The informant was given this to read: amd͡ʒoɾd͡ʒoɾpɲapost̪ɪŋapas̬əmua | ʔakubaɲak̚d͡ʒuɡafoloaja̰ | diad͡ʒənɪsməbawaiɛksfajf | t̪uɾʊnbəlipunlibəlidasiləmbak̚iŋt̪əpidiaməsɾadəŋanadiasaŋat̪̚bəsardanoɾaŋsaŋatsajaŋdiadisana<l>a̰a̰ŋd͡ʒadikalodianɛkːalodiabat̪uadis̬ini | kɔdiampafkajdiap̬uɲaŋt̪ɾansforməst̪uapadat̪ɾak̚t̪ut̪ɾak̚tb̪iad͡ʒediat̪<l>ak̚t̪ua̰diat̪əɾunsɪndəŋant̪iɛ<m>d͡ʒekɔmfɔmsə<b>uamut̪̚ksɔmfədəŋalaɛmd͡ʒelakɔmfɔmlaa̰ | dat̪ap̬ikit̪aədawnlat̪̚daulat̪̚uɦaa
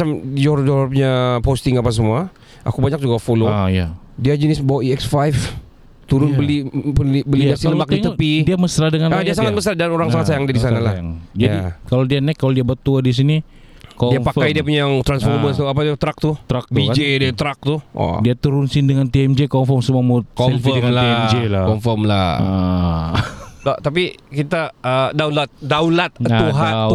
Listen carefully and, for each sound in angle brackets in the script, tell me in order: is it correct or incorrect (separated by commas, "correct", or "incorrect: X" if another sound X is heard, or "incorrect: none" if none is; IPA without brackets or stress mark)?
correct, incorrect: ɾ, correct, incorrect: m